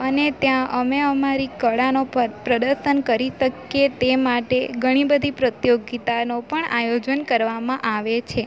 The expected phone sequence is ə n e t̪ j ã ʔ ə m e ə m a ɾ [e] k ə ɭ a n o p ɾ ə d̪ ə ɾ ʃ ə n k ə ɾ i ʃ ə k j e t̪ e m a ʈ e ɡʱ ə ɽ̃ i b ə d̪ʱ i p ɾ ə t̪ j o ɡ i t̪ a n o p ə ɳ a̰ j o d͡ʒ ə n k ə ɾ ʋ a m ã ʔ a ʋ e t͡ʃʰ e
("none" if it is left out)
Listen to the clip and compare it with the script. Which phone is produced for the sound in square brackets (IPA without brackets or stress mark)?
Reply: i